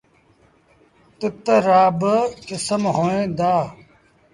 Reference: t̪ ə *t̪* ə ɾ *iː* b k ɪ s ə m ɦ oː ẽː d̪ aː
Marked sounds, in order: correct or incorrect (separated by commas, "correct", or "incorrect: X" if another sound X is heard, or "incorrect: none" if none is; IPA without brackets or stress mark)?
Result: correct, incorrect: aː